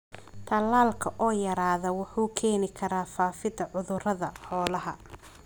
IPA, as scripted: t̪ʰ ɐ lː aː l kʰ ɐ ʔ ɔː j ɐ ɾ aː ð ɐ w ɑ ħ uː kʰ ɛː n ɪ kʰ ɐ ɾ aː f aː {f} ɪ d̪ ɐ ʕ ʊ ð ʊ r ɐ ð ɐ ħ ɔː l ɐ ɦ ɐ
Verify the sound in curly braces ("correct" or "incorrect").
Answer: correct